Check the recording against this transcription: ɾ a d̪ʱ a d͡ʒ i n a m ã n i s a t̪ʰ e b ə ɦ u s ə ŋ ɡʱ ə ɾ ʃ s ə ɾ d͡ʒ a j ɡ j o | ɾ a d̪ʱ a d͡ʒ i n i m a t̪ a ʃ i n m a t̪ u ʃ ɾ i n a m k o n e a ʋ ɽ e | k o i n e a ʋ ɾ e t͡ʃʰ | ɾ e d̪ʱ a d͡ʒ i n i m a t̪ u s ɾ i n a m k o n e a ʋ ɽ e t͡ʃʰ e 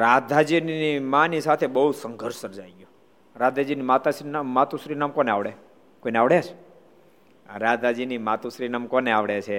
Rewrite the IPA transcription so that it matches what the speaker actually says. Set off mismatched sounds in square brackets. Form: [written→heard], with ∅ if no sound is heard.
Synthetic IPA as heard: ɾ a d̪ʱ a d͡ʒ i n [a→i] m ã n i s a t̪ʰ e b ə ɦ u s ə ŋ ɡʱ ə ɾ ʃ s ə ɾ d͡ʒ a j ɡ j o | ɾ a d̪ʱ a d͡ʒ i n i m a t̪ a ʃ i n m a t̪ u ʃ ɾ i n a m k o n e a ʋ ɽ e | k o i n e a ʋ [ɾ→ɽ] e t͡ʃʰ | ɾ [e→a] d̪ʱ a d͡ʒ i n i m a t̪ u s ɾ i n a m k o n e a ʋ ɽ e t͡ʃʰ e